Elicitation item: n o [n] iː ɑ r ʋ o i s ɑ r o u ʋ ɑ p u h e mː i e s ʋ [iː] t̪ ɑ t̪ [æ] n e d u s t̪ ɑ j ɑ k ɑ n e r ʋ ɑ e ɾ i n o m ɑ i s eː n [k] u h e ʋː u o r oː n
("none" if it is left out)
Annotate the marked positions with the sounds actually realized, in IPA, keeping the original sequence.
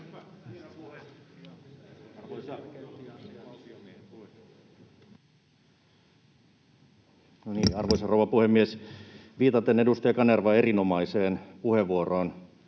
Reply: n, iː, e, p

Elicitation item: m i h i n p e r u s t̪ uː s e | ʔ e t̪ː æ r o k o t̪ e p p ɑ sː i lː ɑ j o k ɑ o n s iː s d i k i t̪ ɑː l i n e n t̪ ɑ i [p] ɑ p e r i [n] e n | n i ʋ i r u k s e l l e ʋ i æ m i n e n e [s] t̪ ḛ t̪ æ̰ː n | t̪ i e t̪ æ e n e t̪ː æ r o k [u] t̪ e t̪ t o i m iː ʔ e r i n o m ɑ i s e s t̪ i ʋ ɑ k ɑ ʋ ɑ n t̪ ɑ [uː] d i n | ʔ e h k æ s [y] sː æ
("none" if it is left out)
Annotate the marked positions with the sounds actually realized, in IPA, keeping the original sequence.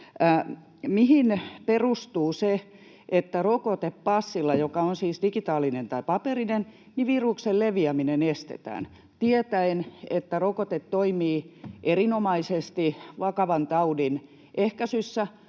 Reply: p, n, s, o, u, y

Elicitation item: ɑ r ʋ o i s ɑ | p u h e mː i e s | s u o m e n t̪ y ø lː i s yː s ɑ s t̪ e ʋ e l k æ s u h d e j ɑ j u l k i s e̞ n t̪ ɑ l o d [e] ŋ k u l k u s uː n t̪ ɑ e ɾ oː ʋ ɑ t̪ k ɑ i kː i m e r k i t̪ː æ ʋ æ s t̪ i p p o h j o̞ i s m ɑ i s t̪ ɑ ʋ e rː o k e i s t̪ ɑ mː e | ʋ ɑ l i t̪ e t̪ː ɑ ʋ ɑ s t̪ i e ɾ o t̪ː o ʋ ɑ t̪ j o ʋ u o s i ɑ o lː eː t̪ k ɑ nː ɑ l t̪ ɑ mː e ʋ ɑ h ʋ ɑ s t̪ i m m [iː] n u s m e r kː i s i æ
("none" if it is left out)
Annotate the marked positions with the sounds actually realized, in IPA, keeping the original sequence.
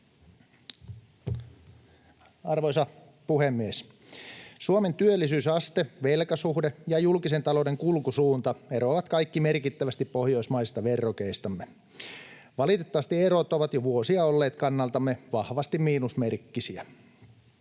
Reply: e, iː

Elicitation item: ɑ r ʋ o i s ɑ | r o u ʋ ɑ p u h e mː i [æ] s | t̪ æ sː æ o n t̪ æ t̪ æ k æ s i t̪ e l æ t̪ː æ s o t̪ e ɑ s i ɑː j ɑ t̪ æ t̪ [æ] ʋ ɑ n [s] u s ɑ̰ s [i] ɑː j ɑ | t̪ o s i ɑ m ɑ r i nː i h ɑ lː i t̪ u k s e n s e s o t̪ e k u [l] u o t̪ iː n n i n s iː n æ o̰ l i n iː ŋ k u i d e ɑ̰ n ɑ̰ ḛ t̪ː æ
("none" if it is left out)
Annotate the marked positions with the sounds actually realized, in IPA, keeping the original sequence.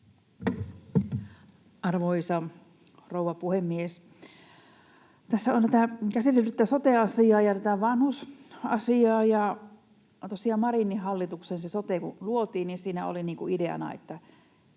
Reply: e, æ, h, i, l

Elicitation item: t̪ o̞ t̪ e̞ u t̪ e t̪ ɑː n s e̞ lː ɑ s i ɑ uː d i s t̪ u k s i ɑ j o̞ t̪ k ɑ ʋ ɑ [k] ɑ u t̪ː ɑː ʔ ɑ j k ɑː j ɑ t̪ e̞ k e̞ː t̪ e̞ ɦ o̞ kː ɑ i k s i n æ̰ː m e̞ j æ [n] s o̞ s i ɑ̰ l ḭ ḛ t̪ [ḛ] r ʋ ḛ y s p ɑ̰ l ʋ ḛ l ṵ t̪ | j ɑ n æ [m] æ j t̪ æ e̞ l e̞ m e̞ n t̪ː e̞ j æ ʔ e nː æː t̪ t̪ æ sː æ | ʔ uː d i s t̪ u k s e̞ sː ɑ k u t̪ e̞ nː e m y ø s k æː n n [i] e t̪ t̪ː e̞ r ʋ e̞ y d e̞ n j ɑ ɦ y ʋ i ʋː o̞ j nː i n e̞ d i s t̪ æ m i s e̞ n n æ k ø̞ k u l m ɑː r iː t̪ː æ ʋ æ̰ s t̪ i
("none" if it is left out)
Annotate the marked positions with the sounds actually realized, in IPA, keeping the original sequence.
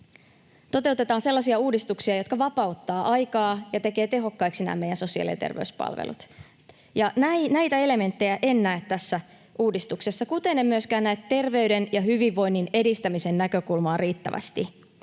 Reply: p, n, ḛ, n, æ

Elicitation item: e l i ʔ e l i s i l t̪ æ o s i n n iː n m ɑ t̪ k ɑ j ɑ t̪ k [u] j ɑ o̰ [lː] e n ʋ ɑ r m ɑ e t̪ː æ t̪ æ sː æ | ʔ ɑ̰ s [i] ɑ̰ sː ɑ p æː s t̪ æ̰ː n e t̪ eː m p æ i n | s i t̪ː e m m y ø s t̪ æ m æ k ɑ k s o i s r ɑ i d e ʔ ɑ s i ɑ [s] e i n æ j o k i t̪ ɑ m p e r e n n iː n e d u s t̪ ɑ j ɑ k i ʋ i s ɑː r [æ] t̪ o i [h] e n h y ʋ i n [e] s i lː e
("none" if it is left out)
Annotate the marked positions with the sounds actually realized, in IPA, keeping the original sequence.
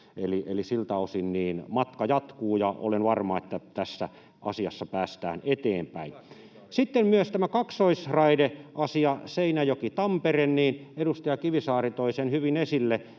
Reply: uː, l, i, s, i, s, e

